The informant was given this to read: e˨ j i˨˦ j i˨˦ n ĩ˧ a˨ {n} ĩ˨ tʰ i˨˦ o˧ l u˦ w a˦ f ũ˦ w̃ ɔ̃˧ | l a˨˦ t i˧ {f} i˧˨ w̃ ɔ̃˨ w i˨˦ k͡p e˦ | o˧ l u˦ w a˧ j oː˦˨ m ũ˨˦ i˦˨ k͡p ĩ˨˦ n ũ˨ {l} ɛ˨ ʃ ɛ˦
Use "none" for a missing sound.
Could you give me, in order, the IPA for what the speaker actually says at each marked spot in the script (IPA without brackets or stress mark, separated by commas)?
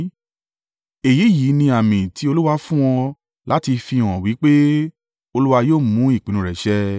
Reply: m, f, ɾ